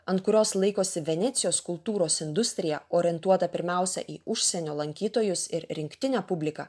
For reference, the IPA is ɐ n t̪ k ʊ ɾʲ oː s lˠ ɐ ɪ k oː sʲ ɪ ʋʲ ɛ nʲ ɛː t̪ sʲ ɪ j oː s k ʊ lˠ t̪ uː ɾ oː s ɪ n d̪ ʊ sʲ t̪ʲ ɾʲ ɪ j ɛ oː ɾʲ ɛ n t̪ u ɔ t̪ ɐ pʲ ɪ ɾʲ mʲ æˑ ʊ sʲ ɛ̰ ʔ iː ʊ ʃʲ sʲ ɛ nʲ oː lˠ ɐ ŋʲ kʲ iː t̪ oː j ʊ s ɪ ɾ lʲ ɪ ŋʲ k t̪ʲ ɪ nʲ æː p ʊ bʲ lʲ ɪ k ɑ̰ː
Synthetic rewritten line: ɐ n t̪ k ʊ ɾʲ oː s lˠ ɐ ɪ k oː sʲ ɪ ʋʲ ɛ nʲ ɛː t̪ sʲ ɪ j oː s k ʊ lˠ t̪ uː ɾ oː s ɪ n d̪ ʊ sʲ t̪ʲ ɾʲ ɪ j ɛ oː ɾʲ ɛ n t̪ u ɔ t̪ ɐ pʲ ɪ ɾʲ mʲ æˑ ʊ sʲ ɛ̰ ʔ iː ʊ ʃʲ sʲ ɛ nʲ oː lˠ ɐ ŋʲ kʲ iː t̪ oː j ʊ s ɪ ɾ ɾʲ ɪ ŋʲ k t̪ʲ ɪ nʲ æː p ʊ bʲ lʲ ɪ k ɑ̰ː